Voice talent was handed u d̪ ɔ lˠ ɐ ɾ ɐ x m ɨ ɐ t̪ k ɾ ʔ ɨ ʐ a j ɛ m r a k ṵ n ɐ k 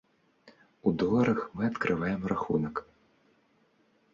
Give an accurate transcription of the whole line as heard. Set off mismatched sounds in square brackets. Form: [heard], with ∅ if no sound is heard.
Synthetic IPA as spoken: u d̪ ɔ lˠ ɐ ɾ ɐ x m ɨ ɐ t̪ k ɾ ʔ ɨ [v] a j ɛ m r a [x] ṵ n ɐ k